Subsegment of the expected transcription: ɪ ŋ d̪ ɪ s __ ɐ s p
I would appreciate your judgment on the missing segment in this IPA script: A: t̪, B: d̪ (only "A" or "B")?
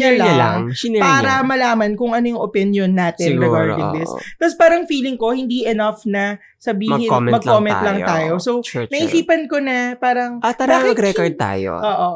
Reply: A